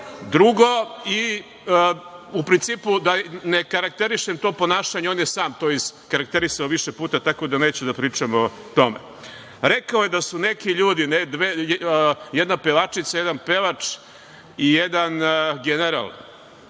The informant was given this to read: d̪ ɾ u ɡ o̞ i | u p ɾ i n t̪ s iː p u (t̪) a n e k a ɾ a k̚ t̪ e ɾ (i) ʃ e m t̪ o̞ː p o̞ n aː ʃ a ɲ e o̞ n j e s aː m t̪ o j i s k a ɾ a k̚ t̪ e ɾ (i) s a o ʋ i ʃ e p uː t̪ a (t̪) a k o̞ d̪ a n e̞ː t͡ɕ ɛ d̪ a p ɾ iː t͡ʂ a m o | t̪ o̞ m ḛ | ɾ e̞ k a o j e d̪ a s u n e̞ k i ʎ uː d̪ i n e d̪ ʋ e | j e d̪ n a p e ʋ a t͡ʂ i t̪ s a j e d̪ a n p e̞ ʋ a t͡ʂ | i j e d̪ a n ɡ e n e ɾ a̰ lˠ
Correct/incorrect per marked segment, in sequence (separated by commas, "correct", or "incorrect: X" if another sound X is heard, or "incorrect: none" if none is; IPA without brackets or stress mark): incorrect: d̪, correct, correct, correct